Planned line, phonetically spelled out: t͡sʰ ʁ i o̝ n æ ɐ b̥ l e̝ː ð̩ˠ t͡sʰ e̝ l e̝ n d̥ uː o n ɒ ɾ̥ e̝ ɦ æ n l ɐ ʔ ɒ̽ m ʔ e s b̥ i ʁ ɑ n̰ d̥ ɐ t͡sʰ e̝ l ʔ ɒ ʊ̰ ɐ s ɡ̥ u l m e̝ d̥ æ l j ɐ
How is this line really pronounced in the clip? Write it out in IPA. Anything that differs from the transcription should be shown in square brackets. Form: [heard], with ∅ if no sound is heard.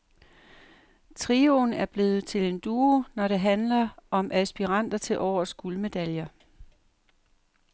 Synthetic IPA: t͡sʰ ʁ i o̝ n æ ɐ b̥ l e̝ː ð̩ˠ t͡sʰ e̝ l e̝ n d̥ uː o n ɒ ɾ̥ e̝ ɦ æ n l ɐ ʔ ɒ̽ m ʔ [æ] s b̥ i ʁ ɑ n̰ d̥ ɐ t͡sʰ e̝ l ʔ ɒ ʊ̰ ɐ s ɡ̥ u l m e̝ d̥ æ l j ɐ

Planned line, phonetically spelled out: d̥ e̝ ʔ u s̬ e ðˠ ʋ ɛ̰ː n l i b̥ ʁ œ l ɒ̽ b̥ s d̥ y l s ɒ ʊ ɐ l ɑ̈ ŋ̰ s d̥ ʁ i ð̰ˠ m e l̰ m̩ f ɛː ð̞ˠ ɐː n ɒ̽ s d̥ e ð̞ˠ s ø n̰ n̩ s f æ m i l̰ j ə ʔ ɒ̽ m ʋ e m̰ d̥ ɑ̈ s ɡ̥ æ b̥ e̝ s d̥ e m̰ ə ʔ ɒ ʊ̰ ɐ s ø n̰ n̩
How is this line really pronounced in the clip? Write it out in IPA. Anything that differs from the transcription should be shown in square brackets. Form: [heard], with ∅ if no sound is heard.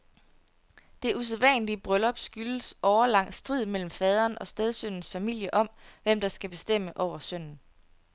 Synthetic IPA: d̥ e̝ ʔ u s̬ e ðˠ ʋ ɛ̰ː n l i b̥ ʁ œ l ɒ̽ b̥ s [ɡ̥] y l s ɒ ʊ ɐ l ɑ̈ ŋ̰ s d̥ ʁ i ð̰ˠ m e l̰ m̩ f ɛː ð̞ˠ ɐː n ɒ̽ s d̥ e ð̞ˠ s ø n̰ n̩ s f æ m i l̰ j ə ʔ ɒ̽ m ʋ e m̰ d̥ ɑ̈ s ɡ̥ æ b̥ e̝ s d̥ e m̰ ə ʔ ɒ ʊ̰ ɐ s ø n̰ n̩

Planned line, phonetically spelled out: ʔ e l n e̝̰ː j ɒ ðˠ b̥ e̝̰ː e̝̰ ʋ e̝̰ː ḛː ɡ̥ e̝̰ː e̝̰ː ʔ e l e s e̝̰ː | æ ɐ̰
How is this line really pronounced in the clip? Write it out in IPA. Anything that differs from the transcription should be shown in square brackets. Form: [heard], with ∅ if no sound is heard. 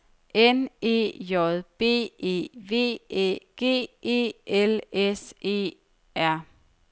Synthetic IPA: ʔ e [∅] n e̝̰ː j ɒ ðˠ b̥ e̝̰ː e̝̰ ʋ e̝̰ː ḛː ɡ̥ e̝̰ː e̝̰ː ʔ e l e s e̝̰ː | æ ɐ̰

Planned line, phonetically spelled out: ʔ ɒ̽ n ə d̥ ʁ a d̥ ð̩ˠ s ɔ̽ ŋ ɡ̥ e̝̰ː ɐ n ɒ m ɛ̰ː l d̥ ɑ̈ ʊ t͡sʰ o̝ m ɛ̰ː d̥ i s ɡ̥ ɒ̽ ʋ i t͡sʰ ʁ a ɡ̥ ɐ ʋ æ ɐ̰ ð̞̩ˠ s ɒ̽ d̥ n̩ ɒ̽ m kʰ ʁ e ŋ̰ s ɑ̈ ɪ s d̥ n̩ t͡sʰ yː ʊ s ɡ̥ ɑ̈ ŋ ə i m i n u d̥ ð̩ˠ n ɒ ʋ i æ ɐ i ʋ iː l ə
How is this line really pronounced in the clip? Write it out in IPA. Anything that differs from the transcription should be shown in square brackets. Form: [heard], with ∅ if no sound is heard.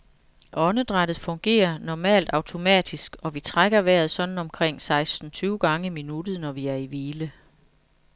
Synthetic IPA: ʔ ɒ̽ n ə d̥ ʁ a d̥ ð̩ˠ [f] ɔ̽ ŋ ɡ̥ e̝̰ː ɐ n ɒ m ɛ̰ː l d̥ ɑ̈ ʊ t͡sʰ o̝ m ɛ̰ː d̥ i s ɡ̥ ɒ̽ ʋ i t͡sʰ ʁ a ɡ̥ ɐ ʋ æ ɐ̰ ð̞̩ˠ s ɒ̽ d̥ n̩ ɒ̽ m kʰ ʁ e ŋ̰ s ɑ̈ ɪ s d̥ n̩ t͡sʰ yː ʊ [∅] ɡ̥ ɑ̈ ŋ ə i m i n u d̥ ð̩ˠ n ɒ ʋ i æ ɐ i ʋ iː l ə

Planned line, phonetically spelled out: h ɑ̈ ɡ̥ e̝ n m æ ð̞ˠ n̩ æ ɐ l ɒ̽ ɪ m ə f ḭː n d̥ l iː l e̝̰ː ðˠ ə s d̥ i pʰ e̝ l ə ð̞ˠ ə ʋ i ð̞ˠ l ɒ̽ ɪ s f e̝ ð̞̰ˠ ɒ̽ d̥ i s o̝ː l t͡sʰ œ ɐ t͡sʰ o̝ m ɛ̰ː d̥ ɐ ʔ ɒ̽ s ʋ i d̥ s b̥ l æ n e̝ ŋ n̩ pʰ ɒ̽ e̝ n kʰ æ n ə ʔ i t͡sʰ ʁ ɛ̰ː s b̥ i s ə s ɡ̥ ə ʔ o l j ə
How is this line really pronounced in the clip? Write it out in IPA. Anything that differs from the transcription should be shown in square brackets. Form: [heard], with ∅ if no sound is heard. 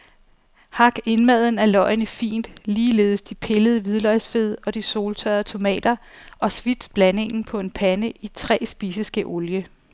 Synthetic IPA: h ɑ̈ ɡ̥ e̝ n m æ ð̞ˠ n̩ æ ɐ l ɒ̽ ɪ [n] ə f ḭː n d̥ l iː l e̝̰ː ðˠ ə s d̥ i pʰ e̝ l ə ð̞ˠ ə ʋ i ð̞ˠ l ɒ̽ ɪ s f e̝ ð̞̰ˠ ɒ̽ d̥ i s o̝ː l t͡sʰ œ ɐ t͡sʰ o̝ m ɛ̰ː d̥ ɐ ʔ ɒ̽ s ʋ i d̥ s b̥ l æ n e̝ ŋ n̩ pʰ ɒ̽ e̝ n [pʰ] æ n ə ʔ i t͡sʰ ʁ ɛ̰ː s b̥ i s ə s ɡ̥ ə ʔ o l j ə

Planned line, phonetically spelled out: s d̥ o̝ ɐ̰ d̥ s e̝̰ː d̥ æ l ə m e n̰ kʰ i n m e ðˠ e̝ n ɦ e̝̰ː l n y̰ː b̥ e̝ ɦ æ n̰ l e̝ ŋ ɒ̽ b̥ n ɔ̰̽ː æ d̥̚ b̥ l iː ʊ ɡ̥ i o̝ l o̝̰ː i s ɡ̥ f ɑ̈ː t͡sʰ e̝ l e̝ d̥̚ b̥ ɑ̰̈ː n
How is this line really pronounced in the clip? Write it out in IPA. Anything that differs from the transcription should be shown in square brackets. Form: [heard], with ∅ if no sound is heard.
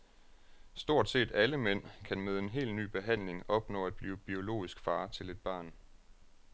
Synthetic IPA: s d̥ o̝ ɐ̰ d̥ s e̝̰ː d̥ æ l ə m e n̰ kʰ [æ] n m e ðˠ e̝ n ɦ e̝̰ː l n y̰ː b̥ e̝ ɦ æ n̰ l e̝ ŋ ɒ̽ b̥ n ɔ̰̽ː æ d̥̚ b̥ l iː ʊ [b̥] i o̝ l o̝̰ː i s ɡ̥ f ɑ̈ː t͡sʰ e̝ l e̝ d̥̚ b̥ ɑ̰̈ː n

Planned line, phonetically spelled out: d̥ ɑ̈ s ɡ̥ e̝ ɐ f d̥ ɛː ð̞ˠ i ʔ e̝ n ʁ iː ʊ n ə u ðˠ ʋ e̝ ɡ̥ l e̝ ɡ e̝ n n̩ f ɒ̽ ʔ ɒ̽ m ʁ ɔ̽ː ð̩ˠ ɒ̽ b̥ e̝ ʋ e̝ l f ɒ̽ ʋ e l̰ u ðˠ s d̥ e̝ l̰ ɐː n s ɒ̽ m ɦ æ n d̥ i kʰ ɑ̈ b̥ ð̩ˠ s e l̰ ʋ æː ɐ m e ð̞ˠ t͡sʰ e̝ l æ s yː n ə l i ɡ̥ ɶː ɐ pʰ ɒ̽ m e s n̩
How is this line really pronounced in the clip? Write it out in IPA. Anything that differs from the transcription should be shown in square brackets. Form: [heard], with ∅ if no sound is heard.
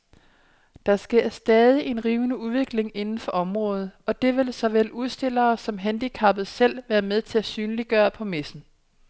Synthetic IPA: d̥ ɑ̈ s ɡ̥ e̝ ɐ [s] d̥ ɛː ð̞ˠ i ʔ e̝ n ʁ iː ʊ n ə u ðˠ ʋ e̝ ɡ̥ l e̝ [ŋ] e̝ n n̩ f ɒ̽ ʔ ɒ̽ m ʁ ɔ̽ː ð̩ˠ ɒ̽ [d̥] e̝ ʋ e̝ l [s] ɒ̽ ʋ e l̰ u ðˠ s d̥ e̝ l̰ ɐː [∅] s ɒ̽ m ɦ æ n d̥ i kʰ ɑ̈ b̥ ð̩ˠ s e l̰ ʋ æː ɐ m e ð̞ˠ t͡sʰ e̝ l æ s yː n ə l i ɡ̥ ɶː ɐ pʰ ɒ̽ m e s n̩

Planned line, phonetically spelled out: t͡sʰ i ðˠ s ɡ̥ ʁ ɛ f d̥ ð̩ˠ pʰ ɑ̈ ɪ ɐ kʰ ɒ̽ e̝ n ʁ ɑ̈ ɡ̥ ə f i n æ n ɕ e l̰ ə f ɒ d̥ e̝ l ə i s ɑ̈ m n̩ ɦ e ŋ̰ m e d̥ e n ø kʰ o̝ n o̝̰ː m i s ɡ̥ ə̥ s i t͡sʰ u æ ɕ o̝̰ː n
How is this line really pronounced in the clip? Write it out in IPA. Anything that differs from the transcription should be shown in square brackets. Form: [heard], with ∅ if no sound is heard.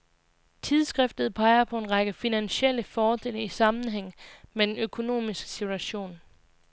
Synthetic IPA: t͡sʰ i ðˠ s ɡ̥ ʁ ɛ f d̥ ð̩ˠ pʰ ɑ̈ ɪ ɐ [pʰ] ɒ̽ e̝ n ʁ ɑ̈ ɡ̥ ə f i n æ n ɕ e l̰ ə f [ɒː] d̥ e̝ l ə i s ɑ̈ m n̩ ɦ e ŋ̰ m e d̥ e n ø kʰ o̝ n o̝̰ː m i s ɡ̥ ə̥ s i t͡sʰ u æ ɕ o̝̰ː n

